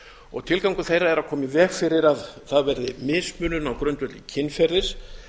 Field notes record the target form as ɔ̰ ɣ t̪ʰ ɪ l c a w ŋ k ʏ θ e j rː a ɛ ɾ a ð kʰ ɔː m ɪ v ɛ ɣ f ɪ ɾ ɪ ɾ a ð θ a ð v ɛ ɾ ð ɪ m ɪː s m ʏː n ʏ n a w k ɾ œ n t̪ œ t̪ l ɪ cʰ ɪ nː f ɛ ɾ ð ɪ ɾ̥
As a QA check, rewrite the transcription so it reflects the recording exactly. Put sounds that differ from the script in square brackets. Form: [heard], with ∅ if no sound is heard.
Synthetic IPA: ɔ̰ ɣ t̪ʰ ɪ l [k] a w ŋ k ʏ θ e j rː a ɛ ɾ a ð kʰ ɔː m ɪ v ɛ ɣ f ɪ ɾ ɪ ɾ a ð θ a ð v ɛ ɾ ð ɪ m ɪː s m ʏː n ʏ n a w k ɾ œ n t̪ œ t̪ l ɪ cʰ ɪ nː f ɛ ɾ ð ɪ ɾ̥